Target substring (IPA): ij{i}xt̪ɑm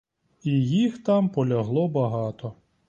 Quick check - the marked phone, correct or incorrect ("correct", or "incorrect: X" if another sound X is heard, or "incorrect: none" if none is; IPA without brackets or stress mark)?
correct